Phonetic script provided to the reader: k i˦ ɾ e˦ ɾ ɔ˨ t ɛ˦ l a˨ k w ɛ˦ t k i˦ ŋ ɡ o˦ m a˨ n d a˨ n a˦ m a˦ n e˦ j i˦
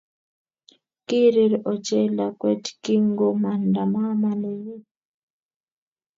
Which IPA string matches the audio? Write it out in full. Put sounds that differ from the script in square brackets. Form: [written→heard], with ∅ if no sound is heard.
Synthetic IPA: k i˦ ɾ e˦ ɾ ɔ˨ [t→t͡ʃ] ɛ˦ l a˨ k w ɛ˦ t k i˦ ŋ ɡ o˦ m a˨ n d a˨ [n→m] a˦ m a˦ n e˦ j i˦